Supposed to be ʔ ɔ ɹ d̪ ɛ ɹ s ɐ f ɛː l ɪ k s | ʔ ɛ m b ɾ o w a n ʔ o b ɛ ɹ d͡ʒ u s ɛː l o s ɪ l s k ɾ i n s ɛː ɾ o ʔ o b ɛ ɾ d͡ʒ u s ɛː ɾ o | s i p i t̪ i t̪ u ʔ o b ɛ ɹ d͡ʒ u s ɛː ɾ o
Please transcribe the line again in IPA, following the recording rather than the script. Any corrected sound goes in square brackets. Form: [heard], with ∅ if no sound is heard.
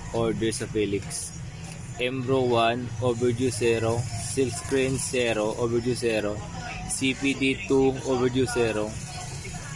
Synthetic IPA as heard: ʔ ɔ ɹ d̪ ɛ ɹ s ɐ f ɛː l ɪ k s | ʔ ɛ m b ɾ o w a n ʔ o b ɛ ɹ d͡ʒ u s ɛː [ɾ] o s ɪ l s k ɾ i n s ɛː ɾ o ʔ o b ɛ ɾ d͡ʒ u s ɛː ɾ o | s i p i [d̪] i t̪ u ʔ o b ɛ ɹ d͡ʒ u s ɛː ɾ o

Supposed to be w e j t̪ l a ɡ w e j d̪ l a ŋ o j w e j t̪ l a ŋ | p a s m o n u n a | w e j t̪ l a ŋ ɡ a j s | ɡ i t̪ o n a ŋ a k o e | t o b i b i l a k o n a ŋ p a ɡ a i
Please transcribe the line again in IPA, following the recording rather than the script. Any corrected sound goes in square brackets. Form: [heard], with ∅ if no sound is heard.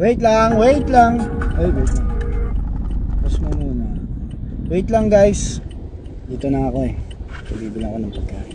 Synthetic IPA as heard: w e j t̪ l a [ŋ] w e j [t̪] l a ŋ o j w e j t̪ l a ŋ | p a s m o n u n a | w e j t̪ l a ŋ ɡ a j s | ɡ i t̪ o n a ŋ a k o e | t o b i b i l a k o n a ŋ p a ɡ a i

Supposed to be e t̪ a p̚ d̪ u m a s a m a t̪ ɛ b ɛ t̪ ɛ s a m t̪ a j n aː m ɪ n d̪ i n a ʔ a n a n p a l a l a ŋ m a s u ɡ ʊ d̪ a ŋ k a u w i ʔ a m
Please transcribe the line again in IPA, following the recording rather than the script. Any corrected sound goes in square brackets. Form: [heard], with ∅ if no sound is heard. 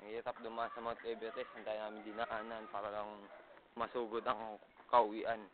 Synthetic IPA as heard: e t̪ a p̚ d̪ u m a s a m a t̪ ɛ b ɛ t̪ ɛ s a [n] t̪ a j n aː m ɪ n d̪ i n a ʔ a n a n p a [ɾ] a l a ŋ m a s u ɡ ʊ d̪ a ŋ k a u w i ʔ a [n]

